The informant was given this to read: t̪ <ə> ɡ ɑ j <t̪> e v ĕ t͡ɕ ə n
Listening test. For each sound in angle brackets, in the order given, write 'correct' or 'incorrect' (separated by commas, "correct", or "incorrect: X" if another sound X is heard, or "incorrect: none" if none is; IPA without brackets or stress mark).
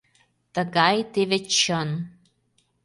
correct, correct